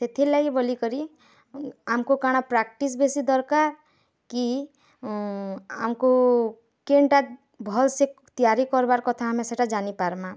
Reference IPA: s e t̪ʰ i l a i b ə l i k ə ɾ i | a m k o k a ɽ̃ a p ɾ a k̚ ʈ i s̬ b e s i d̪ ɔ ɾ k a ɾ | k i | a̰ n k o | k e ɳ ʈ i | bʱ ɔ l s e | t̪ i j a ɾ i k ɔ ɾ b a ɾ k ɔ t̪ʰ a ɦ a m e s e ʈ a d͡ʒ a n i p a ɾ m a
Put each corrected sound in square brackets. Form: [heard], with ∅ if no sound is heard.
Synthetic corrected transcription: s e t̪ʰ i l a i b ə l i k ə ɾ i | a m k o k a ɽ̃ a p ɾ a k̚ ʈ i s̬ b e s i d̪ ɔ ɾ k a ɾ | k i | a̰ [m] k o | k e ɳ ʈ [a] | bʱ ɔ l s e | t̪ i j a ɾ i k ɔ ɾ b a ɾ k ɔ t̪ʰ a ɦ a m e s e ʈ a d͡ʒ a n i p a ɾ m a